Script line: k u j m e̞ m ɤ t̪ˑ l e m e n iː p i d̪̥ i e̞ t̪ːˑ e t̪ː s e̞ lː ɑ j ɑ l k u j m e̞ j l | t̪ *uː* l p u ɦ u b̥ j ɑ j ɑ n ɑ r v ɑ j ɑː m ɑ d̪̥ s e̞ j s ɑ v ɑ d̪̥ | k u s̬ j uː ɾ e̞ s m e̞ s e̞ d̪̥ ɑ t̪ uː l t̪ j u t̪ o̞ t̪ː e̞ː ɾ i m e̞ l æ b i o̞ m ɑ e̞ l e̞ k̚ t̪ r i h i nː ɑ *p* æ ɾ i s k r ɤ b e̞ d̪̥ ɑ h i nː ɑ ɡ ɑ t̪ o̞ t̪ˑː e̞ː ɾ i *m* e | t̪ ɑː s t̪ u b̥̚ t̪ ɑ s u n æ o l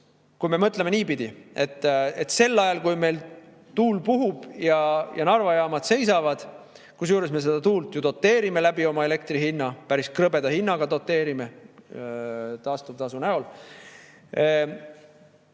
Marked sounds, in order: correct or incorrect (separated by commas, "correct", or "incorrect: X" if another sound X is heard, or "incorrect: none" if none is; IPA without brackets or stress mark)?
correct, correct, correct